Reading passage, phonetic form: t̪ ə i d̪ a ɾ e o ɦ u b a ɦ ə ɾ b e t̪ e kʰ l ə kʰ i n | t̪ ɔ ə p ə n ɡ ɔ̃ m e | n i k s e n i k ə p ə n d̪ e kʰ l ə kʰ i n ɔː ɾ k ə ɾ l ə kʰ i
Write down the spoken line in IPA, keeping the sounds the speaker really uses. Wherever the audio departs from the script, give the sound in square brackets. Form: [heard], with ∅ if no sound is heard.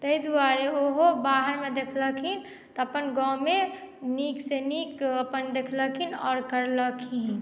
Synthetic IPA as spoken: t̪ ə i d̪ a ɾ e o ɦ [o] b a ɦ ə ɾ [m] e [d̪] e kʰ l ə kʰ i n | t̪ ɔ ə p ə n ɡ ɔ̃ m e | n i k s e n i k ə p ə n d̪ e kʰ l ə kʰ i n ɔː ɾ k ə ɾ l ə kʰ i